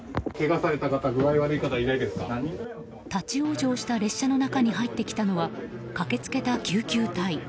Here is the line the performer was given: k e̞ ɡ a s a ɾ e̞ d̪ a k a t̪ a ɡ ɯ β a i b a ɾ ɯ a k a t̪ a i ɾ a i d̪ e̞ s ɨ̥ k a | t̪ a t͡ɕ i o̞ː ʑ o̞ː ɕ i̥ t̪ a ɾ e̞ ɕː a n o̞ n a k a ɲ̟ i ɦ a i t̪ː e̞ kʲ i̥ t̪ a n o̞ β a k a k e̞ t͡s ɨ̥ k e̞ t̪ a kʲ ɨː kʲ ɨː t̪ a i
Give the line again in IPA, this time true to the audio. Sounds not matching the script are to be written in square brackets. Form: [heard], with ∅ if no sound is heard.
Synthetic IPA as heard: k e̞ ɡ a s a ɾ e̞ [t̪] a k a t̪ a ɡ ɯ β a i [β] a ɾ ɯ [i] k a t̪ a i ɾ a i d̪ e̞ s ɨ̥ k a | t̪ a t͡ɕ i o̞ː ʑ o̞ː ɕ i̥ t̪ a ɾ e̞ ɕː a n o̞ n a k a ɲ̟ i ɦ a i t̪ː e̞ kʲ i̥ t̪ a n o̞ β a k a k e̞ t͡s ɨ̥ k e̞ t̪ a kʲ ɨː kʲ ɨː t̪ a i